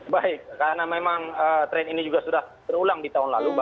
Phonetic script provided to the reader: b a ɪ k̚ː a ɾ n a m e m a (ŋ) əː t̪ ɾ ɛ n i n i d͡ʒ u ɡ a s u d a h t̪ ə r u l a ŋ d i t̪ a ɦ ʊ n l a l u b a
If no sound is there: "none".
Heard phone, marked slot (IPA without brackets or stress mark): ŋ